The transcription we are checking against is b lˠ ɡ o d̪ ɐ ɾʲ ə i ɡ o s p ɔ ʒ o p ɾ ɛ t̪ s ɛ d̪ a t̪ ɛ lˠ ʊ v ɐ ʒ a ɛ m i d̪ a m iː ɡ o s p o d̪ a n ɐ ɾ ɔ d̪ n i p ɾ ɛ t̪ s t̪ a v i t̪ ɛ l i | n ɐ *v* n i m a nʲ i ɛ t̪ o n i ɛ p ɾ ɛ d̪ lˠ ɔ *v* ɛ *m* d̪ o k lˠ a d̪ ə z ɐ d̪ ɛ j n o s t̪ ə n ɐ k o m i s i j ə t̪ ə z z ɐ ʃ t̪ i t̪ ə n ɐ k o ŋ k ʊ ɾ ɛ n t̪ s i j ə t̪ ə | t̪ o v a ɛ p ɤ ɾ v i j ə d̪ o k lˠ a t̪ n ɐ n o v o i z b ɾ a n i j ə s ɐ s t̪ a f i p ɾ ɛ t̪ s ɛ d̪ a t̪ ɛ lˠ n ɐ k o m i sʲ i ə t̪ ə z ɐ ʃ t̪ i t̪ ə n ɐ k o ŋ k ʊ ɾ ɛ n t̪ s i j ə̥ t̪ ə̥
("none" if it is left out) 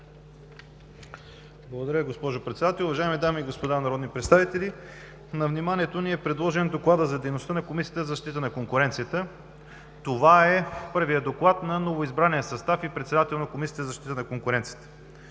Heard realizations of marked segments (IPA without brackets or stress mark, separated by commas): v, ʒ, n